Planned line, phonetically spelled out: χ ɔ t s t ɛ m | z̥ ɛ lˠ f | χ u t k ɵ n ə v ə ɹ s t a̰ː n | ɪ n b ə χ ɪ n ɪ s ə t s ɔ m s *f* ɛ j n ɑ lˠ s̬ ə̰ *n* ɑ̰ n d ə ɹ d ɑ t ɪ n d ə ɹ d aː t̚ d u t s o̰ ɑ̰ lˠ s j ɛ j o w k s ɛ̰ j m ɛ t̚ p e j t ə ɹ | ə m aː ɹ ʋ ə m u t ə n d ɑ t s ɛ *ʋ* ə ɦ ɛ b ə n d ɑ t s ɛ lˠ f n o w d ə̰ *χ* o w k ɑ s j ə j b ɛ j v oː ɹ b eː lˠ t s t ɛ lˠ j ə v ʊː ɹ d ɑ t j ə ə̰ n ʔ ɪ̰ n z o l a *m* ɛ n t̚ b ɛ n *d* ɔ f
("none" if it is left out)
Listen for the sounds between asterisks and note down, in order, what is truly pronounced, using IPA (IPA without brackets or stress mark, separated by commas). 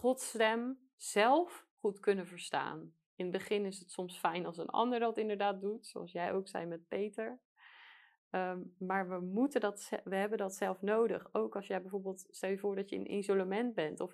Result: f, n, ʋ, χ, m, t